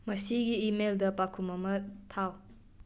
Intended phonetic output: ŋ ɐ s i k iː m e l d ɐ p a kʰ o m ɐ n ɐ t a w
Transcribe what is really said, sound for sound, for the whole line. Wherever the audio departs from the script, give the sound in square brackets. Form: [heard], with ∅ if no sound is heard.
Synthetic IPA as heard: [m] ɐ s i [ɡ] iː m e l d ɐ p a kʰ [u] m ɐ [m] ɐ [tʰ] a w